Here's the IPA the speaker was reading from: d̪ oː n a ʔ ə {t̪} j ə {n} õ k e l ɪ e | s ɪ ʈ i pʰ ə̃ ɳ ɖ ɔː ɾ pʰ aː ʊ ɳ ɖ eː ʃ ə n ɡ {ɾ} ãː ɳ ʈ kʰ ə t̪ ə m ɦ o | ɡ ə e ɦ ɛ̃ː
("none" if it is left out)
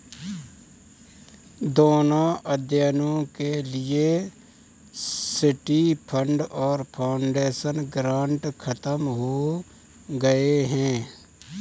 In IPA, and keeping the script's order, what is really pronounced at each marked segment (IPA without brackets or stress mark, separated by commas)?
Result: d̪, n, ɾ